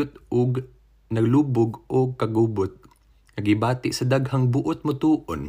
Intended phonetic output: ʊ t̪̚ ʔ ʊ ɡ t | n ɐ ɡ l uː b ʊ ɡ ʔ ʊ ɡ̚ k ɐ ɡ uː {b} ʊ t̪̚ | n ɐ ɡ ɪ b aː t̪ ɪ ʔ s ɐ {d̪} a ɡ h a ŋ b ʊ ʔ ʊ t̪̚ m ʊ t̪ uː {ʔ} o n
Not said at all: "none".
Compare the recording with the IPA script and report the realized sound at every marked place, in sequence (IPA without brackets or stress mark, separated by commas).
b, d̪, ʔ